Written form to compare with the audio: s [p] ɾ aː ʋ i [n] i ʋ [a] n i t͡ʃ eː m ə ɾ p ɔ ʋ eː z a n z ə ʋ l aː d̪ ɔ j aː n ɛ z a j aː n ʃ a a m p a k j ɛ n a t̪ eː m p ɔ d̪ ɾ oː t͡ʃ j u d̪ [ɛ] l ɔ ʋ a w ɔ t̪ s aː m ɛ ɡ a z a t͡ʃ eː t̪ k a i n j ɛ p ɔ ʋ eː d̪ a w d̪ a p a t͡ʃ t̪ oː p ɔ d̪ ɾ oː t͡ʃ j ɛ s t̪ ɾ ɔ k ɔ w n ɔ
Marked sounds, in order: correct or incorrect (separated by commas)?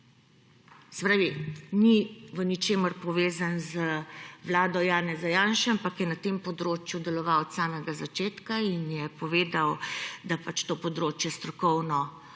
correct, correct, incorrect, correct